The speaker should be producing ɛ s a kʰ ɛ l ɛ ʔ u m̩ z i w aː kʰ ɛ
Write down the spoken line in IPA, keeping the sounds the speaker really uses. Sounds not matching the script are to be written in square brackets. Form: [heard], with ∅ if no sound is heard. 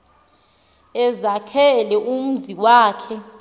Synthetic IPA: ɛ [z] a kʰ ɛ l ɛ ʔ u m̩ z i w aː kʰ ɛ